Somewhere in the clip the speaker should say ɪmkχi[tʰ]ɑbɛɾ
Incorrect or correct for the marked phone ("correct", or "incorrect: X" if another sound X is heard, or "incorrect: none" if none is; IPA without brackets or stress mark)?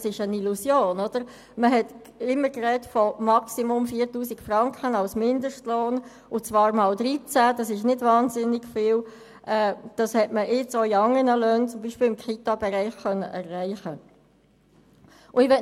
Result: incorrect: t